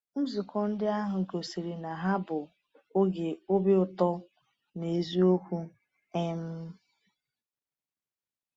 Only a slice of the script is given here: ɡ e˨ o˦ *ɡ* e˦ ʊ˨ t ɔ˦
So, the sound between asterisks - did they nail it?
no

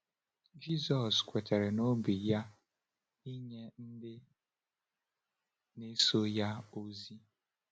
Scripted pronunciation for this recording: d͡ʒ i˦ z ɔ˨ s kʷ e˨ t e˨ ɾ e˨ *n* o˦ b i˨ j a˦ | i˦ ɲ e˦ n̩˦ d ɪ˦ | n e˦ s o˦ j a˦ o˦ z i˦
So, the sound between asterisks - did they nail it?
yes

